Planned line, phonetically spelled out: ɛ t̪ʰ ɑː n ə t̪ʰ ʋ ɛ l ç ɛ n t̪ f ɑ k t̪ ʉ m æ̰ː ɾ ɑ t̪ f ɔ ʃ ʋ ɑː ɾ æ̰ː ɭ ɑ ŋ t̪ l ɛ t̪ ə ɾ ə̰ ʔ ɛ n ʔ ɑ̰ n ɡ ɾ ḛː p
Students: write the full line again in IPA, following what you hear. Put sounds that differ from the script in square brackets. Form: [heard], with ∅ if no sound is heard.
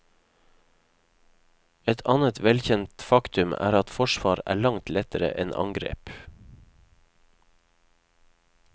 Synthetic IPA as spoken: ɛ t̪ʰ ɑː n ə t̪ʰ ʋ ɛ l ç ɛ n t̪ f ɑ k t̪ ʉ m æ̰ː ɾ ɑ t̪ f ɔ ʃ ʋ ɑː ɾ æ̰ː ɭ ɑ ŋ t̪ l ɛ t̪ ə ɾ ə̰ ʔ ɛ n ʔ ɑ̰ [ŋ] ɡ ɾ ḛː p